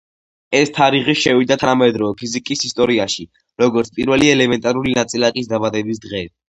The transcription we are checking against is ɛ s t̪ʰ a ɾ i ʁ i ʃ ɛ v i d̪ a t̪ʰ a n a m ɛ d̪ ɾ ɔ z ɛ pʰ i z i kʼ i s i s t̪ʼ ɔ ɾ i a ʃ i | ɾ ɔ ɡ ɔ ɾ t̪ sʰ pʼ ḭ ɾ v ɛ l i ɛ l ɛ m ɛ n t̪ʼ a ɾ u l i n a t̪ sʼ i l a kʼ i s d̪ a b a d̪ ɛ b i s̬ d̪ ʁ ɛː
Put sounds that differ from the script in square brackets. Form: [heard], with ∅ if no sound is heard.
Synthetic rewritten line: ɛ s t̪ʰ a ɾ i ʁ i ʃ ɛ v i d̪ a t̪ʰ a n a m ɛ d̪ ɾ ɔ [v] ɛ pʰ i z i kʼ i s i s t̪ʼ ɔ ɾ i a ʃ i | ɾ ɔ ɡ ɔ ɾ t̪ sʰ pʼ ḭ ɾ v ɛ l i ɛ l ɛ m ɛ n t̪ʼ a ɾ u l i n a t̪ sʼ i l a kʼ i s d̪ a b a d̪ ɛ b i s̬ d̪ ʁ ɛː